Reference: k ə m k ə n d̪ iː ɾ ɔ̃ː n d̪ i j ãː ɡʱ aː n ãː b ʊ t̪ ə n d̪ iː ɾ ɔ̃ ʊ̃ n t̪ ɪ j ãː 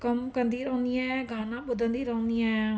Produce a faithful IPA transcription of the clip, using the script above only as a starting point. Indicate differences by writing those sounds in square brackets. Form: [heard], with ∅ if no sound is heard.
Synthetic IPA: k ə m k ə n d̪ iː ɾ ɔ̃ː n d̪ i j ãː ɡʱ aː n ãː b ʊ [d̪] ə n d̪ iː ɾ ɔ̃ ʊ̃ n [d̪] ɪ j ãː